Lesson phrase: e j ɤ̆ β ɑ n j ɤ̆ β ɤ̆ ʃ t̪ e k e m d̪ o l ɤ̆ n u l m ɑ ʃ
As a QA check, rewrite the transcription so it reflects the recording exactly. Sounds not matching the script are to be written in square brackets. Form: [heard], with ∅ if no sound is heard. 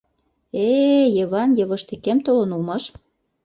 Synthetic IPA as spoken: e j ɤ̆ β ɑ n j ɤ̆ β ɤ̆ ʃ t̪ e k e m [t̪] o l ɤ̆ n u l m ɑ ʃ